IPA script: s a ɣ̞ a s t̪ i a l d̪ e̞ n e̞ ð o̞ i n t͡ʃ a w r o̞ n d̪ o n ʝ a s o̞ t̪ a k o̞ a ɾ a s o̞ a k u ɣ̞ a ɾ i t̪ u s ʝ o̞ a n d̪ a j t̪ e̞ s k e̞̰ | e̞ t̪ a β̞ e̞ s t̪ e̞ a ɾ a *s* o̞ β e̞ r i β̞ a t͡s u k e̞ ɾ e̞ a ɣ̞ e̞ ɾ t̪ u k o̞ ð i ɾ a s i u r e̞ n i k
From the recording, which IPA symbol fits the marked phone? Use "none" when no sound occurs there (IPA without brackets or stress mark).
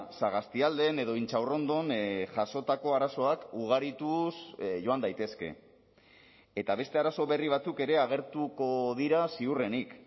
s